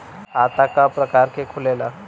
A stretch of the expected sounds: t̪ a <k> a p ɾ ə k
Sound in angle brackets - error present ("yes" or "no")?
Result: no